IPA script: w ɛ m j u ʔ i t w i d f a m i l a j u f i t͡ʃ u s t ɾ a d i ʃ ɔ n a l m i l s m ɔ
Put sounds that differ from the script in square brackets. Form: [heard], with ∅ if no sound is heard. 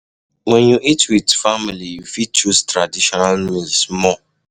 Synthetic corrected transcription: w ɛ [n] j u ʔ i t w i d f a m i l [i] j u f i t͡ʃ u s t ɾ a d i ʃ ɔ n a l m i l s m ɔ